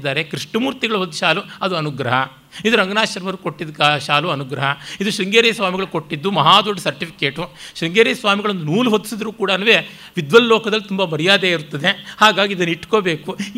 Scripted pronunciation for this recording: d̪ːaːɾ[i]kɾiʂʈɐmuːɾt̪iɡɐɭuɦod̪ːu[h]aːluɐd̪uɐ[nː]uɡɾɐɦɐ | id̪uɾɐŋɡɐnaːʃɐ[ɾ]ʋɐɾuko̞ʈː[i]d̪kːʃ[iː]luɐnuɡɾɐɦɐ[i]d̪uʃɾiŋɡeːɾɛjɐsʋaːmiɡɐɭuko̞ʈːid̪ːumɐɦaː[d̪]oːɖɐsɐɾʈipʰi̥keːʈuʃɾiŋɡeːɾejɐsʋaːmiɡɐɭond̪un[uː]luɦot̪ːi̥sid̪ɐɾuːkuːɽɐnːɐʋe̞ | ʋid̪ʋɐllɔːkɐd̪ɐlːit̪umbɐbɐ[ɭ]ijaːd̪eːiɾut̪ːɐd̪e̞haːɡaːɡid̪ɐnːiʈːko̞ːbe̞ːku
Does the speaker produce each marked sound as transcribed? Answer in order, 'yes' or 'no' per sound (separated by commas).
no, no, no, yes, yes, no, yes, yes, yes, no